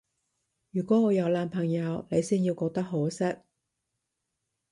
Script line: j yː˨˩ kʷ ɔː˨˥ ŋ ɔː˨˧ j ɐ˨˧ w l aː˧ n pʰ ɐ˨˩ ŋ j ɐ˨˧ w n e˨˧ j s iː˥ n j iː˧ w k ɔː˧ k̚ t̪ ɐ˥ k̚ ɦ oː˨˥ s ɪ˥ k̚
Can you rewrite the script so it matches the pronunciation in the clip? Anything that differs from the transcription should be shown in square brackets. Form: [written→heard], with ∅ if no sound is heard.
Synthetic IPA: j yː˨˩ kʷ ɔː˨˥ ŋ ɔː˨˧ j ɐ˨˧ w l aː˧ n pʰ ɐ˨˩ ŋ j ɐ˨˧ w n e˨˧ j s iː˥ n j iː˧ w k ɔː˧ k̚ t̪ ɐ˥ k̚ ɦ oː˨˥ s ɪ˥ k̚